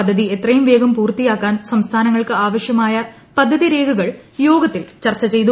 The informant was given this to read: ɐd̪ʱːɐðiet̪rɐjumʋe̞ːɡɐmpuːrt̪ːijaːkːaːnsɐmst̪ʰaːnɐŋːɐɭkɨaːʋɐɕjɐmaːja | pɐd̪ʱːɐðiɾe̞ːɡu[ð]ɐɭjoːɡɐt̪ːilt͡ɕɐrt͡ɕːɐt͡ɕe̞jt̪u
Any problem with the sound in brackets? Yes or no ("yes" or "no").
yes